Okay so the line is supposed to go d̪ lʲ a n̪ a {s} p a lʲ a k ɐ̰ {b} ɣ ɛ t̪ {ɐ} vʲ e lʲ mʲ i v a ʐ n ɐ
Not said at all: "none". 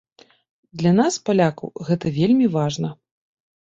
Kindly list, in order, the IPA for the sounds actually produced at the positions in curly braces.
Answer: s, w, ɐ

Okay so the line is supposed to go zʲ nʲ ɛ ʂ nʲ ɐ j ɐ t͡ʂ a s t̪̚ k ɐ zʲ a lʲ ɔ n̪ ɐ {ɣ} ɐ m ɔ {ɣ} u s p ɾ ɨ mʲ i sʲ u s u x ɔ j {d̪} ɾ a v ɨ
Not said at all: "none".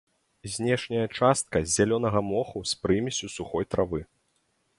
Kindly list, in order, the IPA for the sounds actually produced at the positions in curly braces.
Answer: ɣ, x, t̪

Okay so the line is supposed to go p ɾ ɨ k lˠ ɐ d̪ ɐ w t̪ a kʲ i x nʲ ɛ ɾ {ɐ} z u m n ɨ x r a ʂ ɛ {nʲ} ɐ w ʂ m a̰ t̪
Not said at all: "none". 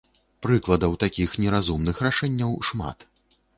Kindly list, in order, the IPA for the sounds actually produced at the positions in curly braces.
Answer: a, nʲː

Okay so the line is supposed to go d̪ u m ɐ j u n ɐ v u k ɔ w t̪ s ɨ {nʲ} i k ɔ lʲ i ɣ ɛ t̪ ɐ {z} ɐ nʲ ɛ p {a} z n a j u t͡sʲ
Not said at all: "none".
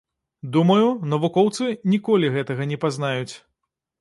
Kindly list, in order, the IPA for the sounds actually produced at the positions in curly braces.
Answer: nʲ, ɣ, a

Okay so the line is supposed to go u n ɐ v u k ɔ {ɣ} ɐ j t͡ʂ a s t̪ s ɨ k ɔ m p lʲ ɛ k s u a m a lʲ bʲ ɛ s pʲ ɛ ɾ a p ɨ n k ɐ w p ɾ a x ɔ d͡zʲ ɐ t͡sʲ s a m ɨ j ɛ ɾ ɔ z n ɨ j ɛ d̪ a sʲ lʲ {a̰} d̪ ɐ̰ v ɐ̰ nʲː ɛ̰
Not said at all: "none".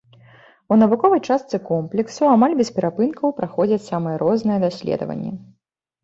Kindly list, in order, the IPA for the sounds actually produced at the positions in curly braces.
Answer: v, ɛ̰

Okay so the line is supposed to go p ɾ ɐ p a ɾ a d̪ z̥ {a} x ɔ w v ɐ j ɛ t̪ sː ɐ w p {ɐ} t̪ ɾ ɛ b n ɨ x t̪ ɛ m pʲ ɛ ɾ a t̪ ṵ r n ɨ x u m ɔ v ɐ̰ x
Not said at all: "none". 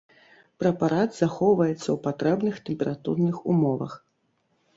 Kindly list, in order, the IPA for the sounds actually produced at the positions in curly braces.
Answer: a, a

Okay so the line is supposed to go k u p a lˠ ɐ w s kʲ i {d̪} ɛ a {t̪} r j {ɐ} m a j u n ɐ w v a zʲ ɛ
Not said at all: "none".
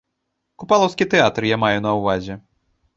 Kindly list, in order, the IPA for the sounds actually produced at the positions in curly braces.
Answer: t̪, t̪, a

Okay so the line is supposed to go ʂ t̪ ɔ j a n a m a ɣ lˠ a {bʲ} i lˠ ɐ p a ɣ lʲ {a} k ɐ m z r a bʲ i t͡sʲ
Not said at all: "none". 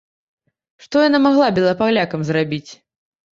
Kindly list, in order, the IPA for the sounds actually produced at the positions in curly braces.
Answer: bʲ, a

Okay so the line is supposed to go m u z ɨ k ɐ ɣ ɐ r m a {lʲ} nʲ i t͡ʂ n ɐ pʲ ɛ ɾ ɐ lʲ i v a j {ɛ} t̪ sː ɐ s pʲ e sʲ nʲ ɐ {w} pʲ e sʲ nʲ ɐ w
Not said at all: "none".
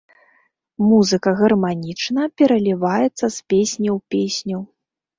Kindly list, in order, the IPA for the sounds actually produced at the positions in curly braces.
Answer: none, ɛ, w

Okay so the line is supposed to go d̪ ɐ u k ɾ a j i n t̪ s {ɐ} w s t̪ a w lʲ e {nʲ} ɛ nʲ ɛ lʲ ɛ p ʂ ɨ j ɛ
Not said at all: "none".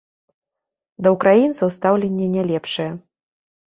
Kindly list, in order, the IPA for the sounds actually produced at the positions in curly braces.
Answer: ɐ, nʲː

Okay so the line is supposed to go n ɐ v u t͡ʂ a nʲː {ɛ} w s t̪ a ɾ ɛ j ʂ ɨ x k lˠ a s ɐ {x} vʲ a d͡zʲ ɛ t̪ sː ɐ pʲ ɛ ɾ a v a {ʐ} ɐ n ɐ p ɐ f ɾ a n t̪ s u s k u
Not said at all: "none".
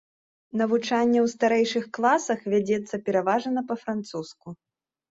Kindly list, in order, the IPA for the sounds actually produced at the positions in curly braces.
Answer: ɛ, x, ʐ

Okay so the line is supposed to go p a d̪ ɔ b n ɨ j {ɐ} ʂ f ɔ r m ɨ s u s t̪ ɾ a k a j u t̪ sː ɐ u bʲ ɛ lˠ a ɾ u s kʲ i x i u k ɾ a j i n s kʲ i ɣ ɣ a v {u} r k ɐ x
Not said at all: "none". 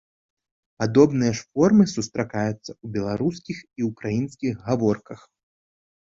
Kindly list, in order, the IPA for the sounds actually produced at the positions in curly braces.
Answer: ɐ, ɔ

